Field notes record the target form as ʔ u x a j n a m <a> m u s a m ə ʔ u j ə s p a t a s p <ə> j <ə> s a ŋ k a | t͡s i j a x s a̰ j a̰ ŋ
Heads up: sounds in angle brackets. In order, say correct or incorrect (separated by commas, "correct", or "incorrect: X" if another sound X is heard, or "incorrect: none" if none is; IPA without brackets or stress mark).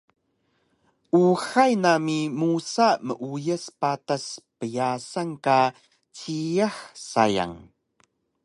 incorrect: i, correct, incorrect: a